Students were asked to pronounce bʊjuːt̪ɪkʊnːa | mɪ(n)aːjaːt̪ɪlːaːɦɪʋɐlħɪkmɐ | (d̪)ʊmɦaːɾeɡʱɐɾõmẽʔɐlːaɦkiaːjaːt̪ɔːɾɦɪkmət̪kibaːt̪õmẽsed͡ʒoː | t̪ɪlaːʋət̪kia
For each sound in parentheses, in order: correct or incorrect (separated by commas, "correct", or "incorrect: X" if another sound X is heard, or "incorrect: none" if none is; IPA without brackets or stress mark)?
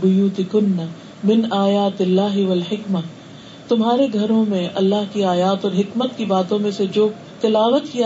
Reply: correct, incorrect: t̪